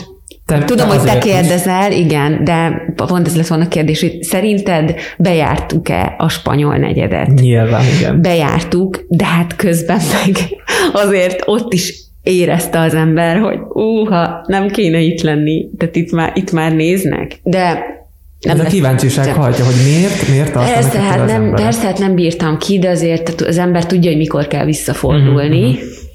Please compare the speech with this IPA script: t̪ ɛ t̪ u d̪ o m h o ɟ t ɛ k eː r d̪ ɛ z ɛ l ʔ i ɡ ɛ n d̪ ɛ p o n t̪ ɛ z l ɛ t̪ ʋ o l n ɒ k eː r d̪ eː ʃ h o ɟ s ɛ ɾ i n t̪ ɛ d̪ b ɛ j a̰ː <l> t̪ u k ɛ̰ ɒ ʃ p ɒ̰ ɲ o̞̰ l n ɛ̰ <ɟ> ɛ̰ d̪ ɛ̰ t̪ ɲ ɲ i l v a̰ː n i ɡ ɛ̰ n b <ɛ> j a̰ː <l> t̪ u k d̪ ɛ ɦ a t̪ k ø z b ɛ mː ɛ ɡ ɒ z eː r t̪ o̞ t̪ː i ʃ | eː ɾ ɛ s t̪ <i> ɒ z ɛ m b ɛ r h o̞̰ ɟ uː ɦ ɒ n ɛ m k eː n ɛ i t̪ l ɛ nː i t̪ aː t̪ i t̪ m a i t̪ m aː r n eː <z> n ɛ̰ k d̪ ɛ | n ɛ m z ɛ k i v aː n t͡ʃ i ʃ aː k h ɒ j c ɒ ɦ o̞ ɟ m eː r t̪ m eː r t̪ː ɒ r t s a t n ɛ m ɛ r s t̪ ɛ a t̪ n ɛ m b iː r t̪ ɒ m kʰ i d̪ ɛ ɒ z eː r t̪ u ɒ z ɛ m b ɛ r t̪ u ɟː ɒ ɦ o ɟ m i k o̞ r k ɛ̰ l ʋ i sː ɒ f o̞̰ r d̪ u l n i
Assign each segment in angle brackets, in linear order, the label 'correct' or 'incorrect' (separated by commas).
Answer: incorrect, correct, correct, incorrect, incorrect, correct